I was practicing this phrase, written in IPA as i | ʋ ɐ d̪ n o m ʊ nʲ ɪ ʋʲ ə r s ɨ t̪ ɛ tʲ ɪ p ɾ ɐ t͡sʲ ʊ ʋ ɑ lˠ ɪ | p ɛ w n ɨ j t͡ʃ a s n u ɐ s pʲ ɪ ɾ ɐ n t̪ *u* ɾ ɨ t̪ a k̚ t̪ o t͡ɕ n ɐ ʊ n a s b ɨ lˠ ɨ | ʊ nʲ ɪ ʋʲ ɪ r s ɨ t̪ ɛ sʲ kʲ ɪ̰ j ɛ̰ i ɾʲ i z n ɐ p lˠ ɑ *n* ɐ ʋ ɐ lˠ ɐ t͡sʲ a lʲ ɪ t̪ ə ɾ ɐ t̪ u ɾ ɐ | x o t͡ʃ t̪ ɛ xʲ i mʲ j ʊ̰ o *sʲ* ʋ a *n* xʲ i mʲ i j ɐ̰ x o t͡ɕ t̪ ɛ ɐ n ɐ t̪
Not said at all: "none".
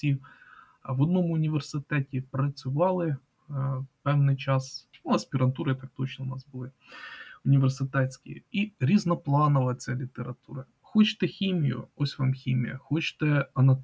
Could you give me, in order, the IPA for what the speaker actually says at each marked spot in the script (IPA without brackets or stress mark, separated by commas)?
u, n, sʲ, m